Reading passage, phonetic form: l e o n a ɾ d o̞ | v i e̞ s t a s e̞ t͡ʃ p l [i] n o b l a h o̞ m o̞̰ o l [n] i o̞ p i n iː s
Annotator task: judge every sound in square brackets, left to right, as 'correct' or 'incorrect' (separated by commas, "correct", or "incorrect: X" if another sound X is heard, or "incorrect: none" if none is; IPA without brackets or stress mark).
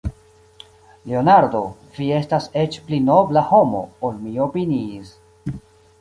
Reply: correct, incorrect: m